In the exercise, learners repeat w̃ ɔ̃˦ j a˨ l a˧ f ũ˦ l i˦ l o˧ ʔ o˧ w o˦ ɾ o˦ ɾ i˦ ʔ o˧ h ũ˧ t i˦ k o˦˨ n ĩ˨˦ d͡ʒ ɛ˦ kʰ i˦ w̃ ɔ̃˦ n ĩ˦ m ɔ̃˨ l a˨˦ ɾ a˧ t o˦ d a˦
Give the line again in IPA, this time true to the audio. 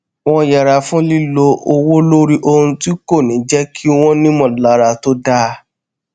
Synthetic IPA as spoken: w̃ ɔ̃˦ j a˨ ɾ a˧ f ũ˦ l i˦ l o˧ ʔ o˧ w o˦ l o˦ ɾ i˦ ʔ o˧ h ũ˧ t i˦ k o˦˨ n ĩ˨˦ d͡ʒ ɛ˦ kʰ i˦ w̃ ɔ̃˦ n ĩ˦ m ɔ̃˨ l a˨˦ ɾ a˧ t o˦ d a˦